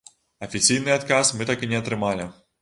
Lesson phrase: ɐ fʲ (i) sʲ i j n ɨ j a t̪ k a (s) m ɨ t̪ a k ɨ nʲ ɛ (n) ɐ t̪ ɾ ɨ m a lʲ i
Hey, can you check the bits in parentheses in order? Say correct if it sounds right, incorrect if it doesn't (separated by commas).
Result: correct, correct, incorrect